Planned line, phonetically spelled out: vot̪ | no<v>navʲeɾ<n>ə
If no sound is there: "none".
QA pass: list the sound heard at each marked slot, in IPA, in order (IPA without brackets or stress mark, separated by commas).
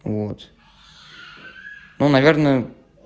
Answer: none, n